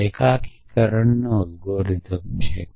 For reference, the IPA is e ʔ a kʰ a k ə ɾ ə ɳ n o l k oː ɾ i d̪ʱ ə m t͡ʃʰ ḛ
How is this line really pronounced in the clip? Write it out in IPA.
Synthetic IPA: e k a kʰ i k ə ɾ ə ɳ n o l ɡ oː ɾ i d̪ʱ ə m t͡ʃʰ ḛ